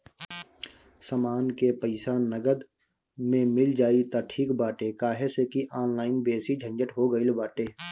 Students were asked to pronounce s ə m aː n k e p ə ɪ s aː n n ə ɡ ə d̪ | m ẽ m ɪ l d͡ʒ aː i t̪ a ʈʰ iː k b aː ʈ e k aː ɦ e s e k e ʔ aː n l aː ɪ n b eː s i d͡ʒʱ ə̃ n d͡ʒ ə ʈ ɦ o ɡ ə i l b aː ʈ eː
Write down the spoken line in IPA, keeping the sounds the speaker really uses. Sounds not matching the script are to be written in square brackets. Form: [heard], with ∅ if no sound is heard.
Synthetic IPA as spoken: s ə m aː n k e p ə ɪ s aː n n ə ɡ ə d̪ | m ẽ m ɪ l d͡ʒ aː i t̪ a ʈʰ iː k b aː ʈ e k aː ɦ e s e k [i] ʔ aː n l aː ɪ n b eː s i d͡ʒʱ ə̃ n d͡ʒ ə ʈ ɦ o ɡ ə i l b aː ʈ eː